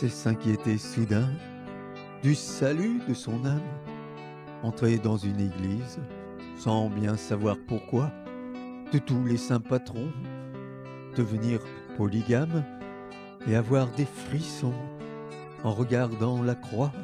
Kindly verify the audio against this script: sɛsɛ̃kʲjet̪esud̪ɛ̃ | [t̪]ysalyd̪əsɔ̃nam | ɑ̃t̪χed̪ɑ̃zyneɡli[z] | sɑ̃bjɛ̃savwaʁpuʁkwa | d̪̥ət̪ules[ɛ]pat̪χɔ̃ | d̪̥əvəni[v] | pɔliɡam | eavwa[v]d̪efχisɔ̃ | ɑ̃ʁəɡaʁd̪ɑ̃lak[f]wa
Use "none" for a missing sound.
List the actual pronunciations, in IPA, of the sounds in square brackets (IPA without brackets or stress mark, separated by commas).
d̪, z, ɛ̃, ʁ, ʁ, χ